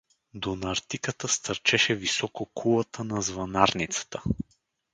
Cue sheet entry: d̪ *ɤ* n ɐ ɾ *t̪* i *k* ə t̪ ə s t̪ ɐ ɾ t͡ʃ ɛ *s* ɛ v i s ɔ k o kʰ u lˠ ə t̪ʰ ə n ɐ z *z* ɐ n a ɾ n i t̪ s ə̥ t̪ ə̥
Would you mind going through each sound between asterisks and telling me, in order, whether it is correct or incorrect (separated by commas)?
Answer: incorrect, correct, correct, incorrect, incorrect